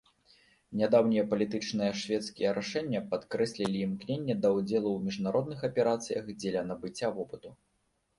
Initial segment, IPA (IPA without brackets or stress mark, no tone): nʲ